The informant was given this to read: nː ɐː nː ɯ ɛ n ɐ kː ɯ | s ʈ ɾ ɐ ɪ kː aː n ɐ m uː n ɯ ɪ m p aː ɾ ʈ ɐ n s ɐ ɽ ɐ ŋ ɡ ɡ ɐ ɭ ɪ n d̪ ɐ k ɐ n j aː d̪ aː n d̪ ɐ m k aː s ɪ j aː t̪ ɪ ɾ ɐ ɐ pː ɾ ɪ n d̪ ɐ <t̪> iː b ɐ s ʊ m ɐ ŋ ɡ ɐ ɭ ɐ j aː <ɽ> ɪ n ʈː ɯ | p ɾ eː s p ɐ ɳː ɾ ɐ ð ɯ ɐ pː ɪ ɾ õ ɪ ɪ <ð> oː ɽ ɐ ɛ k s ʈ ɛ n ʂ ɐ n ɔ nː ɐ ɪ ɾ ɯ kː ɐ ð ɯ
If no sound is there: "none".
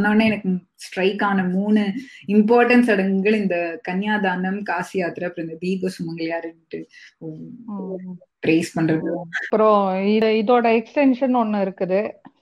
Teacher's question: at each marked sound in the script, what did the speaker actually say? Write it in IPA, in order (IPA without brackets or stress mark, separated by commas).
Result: d̪, ɾ, ð